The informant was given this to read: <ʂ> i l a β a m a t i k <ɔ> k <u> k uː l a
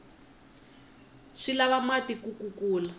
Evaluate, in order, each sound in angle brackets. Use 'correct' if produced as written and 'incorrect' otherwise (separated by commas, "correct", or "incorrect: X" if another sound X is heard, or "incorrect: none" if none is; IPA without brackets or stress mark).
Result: correct, incorrect: u, correct